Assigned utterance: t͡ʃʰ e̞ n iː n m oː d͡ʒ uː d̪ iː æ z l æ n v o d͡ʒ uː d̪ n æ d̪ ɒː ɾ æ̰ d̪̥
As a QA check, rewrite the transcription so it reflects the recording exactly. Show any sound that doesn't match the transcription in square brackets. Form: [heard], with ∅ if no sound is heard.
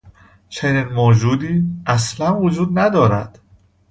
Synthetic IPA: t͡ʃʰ e̞ n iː n m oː d͡ʒ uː d̪ iː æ [s] l æ n v o d͡ʒ uː d̪ n æ d̪ ɒː ɾ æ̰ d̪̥

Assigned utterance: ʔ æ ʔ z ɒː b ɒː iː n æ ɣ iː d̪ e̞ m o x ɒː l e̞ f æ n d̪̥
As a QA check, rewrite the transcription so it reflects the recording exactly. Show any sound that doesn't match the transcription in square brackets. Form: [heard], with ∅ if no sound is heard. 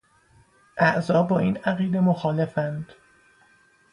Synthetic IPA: ʔ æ ʔ z ɒː b ɒː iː n æ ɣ iː d̪ e̞ m o x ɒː l e̞ f æ n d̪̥

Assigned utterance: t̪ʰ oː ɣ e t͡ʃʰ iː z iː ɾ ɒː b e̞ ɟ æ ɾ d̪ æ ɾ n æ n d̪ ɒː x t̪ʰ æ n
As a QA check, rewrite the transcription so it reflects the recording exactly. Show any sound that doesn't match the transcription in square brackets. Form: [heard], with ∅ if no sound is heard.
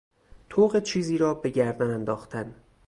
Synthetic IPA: t̪ʰ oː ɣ e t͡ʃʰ iː z iː ɾ ɒː b e̞ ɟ æ ɾ d̪ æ [∅] n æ n d̪ ɒː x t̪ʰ æ n

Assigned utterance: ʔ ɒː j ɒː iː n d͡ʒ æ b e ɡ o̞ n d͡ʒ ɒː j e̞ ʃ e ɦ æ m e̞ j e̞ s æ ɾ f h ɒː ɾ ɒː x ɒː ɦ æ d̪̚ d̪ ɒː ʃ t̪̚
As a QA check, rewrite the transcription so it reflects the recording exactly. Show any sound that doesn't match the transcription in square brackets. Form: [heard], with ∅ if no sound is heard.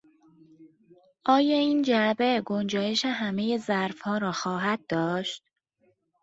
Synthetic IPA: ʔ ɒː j ɒː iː n d͡ʒ æ b e ɡ o̞ n d͡ʒ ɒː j e̞ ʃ e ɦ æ m e̞ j e̞ [z] æ ɾ f h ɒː ɾ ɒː x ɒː ɦ æ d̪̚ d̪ ɒː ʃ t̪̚

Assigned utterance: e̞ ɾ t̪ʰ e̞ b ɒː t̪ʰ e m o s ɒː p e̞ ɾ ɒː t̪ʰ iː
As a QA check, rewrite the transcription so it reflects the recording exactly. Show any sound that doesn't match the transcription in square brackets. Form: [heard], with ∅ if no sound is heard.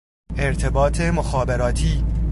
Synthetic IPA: e̞ ɾ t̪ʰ e̞ b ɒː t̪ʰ e m o [x] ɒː [b] e̞ ɾ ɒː t̪ʰ iː

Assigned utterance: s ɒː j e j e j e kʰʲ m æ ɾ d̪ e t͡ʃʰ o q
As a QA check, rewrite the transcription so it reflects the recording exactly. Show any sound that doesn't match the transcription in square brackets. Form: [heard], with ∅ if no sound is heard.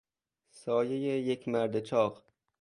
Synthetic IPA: s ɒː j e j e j e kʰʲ m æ ɾ d̪ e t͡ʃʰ [ɒ] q

